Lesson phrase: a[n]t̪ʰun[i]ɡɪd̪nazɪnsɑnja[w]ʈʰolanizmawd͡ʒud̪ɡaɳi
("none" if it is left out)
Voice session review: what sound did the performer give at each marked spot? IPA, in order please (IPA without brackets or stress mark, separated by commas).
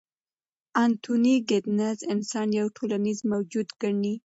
n, i, w